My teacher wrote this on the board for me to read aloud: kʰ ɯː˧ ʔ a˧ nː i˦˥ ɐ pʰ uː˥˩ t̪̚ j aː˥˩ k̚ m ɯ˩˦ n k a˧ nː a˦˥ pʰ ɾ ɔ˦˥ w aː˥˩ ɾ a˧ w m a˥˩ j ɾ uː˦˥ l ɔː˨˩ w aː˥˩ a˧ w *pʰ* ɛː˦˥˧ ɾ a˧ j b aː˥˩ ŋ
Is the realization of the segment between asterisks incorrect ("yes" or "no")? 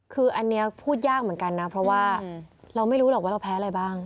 no